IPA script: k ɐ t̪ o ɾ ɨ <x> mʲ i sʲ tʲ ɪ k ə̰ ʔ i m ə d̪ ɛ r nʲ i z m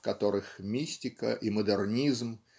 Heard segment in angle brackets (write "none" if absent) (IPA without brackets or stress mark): x